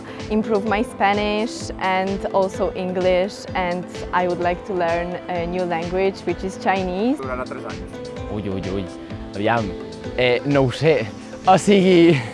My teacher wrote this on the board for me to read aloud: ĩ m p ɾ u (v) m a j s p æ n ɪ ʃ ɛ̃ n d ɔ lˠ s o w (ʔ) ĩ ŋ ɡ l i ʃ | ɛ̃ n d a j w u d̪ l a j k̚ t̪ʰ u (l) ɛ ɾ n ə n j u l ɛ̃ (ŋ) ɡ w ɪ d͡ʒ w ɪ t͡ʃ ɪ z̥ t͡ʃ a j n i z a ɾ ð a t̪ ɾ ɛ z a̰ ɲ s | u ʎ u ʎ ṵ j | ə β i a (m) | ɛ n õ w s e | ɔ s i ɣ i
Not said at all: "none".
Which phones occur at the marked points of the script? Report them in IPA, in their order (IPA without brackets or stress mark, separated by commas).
v, ʔ, l, ŋ, m